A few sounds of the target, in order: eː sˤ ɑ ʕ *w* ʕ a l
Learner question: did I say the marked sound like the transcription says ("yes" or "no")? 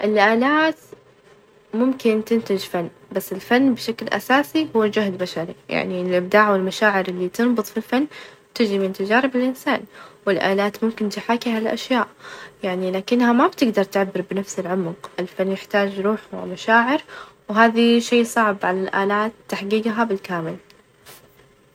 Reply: no